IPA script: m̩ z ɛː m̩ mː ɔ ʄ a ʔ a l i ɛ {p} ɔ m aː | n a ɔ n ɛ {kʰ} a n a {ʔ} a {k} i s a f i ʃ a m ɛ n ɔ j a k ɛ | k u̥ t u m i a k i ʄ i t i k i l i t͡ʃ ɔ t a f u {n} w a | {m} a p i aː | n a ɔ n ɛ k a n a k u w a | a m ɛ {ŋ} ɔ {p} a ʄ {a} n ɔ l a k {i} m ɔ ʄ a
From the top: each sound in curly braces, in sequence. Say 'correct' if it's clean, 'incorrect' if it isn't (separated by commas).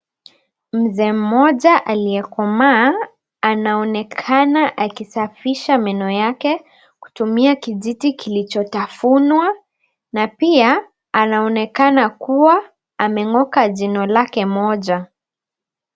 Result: incorrect, correct, correct, correct, correct, incorrect, correct, incorrect, incorrect, incorrect